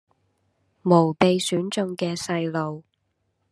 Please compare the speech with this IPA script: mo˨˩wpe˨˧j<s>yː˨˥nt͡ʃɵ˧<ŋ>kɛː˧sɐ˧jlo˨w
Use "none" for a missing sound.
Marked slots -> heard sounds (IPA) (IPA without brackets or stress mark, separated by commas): s, ŋ